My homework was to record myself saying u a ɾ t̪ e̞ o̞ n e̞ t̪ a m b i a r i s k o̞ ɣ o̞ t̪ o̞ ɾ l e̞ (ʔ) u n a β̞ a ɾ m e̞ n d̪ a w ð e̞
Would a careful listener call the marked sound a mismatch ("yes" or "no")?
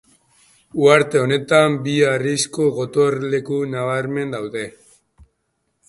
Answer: yes